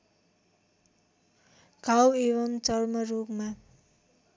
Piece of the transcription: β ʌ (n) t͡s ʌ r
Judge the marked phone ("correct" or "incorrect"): incorrect